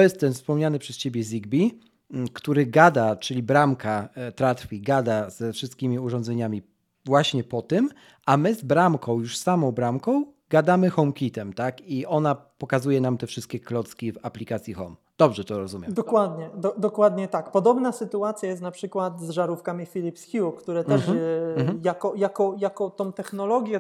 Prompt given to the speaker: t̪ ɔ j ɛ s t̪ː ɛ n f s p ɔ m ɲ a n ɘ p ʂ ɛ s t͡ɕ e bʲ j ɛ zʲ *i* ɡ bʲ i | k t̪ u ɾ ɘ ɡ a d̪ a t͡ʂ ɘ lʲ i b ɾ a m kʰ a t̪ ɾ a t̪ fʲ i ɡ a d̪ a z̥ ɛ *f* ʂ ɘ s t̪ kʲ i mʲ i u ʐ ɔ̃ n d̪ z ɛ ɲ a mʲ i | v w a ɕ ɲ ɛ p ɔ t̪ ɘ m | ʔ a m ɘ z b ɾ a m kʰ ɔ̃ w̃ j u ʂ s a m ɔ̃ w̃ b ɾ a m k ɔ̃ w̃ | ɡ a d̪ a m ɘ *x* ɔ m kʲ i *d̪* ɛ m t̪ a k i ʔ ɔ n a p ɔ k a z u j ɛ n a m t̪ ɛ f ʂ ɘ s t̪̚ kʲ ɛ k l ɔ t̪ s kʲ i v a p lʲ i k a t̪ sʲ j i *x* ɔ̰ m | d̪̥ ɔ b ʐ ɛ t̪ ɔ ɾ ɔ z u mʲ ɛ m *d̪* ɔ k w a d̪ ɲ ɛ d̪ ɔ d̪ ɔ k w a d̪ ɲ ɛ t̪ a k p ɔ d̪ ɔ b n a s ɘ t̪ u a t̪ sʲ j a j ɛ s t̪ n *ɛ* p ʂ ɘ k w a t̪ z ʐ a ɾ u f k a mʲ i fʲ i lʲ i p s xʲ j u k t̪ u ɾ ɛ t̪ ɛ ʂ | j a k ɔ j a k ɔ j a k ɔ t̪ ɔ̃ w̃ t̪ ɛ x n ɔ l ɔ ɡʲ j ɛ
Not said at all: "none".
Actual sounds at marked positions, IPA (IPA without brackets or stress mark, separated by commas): i, f, x, t̪, x, d̪, a